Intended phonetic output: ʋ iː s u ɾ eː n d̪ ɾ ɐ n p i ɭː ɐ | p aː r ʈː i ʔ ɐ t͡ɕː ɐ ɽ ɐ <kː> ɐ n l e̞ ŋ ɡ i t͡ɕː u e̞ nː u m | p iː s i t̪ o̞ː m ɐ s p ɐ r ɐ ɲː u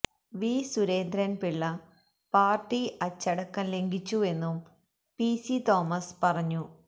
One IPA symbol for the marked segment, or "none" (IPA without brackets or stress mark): kː